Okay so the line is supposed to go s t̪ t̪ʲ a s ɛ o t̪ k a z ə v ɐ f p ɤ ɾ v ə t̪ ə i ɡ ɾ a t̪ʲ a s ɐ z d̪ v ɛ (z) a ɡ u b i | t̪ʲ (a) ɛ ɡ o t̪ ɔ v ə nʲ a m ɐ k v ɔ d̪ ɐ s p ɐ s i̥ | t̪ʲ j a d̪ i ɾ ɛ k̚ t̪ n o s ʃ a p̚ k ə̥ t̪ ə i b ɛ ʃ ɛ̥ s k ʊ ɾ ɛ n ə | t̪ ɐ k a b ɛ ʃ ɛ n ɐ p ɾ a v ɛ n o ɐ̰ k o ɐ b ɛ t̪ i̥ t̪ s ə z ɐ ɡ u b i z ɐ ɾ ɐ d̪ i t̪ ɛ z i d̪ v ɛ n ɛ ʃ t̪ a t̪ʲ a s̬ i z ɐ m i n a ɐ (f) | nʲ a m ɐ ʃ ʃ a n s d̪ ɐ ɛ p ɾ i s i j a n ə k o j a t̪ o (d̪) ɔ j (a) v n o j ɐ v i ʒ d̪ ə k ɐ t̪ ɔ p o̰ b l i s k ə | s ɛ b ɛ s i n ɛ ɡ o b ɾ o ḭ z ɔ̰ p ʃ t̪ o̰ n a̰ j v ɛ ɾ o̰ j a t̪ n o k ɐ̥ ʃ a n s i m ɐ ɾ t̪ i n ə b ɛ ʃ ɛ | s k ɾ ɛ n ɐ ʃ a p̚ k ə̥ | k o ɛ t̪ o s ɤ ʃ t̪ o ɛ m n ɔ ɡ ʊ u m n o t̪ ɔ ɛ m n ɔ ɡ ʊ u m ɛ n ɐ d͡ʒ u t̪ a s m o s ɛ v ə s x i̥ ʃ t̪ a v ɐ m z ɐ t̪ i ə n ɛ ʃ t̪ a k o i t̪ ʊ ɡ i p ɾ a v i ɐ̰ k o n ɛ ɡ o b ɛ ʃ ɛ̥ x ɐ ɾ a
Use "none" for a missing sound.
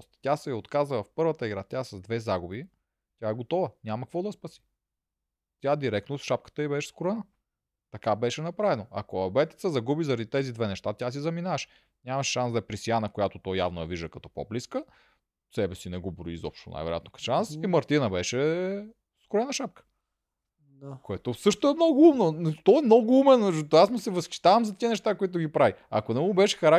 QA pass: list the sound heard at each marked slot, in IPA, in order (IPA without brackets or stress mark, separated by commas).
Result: z, a, ʃ, t̪, a